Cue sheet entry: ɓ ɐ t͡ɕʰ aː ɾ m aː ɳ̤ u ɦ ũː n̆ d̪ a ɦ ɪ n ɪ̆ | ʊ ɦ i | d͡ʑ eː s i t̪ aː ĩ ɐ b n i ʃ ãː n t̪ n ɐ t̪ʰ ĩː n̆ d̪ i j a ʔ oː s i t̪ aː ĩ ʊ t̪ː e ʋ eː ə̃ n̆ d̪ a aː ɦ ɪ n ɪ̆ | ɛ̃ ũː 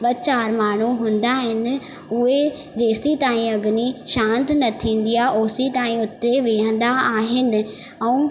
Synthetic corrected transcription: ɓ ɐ t͡ɕ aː ɾ m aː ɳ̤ u ɦ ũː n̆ d̪ a ɦ ɪ n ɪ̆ | ʊ ɦ e | d͡ʑ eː s i t̪ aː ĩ ɐ ɡ n i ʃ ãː n t̪ n ɐ t̪ʰ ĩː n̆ d̪ i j a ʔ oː s i t̪ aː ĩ ʊ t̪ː e ʋ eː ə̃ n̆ d̪ a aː ɦ ɪ n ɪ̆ | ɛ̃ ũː